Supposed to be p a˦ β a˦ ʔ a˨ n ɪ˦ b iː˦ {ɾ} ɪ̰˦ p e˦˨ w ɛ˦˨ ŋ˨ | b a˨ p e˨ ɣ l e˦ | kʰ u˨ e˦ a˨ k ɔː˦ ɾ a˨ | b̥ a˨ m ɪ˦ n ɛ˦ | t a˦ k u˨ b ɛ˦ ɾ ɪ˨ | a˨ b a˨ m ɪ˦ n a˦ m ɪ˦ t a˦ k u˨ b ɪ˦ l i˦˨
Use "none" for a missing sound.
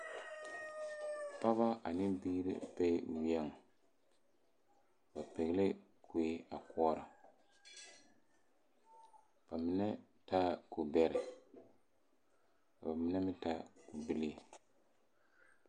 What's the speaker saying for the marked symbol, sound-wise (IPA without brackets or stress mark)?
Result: ɾ